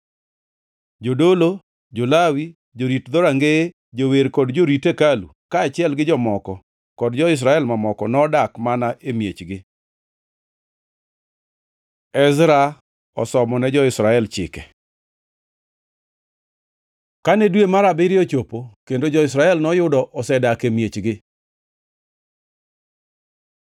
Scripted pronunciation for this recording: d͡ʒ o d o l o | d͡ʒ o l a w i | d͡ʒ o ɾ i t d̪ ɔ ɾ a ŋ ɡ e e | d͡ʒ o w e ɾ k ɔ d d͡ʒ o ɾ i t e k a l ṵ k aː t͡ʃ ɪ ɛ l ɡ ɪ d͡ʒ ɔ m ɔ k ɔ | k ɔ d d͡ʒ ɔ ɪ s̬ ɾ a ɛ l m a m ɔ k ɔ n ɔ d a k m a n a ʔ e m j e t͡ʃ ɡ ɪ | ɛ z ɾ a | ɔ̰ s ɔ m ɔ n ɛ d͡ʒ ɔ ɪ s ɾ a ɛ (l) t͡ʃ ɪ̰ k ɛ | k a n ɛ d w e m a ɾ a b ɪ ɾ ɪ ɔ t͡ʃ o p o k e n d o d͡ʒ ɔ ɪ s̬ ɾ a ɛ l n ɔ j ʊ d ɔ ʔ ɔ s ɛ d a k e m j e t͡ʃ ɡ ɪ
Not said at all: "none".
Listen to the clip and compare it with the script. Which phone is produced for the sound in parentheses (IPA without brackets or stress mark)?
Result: l